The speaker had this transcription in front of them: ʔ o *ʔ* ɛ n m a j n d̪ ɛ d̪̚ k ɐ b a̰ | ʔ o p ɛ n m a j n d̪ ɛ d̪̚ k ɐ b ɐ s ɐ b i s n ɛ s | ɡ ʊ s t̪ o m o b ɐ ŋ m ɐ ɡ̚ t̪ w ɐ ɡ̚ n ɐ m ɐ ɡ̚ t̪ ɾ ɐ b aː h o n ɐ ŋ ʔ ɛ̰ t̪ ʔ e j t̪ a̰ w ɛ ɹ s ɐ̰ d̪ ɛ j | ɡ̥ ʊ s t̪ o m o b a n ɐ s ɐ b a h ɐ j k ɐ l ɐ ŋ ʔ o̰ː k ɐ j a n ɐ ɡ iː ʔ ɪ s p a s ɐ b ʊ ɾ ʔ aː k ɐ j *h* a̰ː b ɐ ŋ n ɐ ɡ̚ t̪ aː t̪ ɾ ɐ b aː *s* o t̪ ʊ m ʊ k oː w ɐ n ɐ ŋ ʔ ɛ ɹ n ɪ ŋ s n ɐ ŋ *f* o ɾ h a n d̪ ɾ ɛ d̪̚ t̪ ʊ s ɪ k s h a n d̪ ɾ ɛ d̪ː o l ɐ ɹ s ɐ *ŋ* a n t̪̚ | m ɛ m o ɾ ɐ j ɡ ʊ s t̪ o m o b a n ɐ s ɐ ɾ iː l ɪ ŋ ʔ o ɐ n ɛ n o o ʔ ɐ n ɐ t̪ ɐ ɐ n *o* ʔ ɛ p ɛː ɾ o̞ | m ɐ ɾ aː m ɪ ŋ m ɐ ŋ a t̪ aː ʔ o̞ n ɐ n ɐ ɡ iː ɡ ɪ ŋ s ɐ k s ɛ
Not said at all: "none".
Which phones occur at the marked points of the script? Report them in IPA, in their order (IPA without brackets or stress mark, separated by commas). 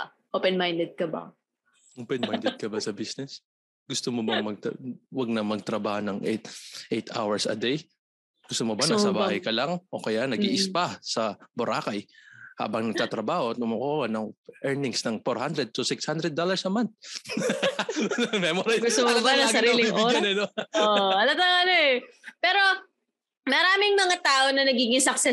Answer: p, h, h, f, m, o